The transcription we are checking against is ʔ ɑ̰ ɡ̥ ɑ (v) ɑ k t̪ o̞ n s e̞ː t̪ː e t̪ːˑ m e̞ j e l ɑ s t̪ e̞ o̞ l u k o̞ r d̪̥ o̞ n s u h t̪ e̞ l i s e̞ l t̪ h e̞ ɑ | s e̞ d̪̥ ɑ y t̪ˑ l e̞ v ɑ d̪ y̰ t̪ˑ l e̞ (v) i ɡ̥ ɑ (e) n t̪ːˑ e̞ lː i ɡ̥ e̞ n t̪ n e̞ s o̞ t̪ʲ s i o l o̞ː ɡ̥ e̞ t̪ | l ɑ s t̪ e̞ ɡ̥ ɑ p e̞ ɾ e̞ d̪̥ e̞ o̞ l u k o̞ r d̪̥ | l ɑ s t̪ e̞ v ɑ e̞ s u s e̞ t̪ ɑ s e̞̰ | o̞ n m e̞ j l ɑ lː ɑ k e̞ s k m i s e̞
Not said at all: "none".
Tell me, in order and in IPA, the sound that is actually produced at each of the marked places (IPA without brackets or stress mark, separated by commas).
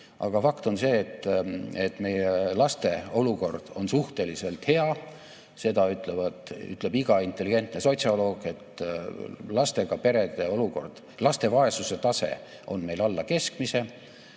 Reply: f, b, i